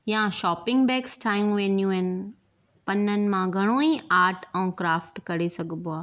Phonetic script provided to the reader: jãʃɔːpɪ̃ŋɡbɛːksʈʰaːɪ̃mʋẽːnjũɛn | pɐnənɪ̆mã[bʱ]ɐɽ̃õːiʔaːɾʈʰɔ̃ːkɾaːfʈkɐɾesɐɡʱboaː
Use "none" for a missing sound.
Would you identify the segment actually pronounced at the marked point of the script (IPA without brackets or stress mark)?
ɡʱ